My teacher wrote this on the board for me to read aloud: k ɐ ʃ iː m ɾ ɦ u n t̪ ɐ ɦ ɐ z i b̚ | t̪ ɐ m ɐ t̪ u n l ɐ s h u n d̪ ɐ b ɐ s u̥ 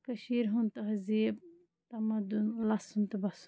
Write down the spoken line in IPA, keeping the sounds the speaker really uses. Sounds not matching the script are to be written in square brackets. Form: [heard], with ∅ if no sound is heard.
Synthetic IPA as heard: k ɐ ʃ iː [∅] ɾ ɦ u n t̪ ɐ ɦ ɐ z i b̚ | t̪ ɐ m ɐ [d̪] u n l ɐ s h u n [t̪] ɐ b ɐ s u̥